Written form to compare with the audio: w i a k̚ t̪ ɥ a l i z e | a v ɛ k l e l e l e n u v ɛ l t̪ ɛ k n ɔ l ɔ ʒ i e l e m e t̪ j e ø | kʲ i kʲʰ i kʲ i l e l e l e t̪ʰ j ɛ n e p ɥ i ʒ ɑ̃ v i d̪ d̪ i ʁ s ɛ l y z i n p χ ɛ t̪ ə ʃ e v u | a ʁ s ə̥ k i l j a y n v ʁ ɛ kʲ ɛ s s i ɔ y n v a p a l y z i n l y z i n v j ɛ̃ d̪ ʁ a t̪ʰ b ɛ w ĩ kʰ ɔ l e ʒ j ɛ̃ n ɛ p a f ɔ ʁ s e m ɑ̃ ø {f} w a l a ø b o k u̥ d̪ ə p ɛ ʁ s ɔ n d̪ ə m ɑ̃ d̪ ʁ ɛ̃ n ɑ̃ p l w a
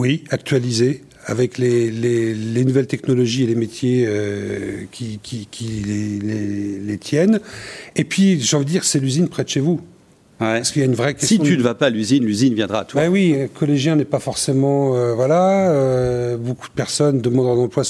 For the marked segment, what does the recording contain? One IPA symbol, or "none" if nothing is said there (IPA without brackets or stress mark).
v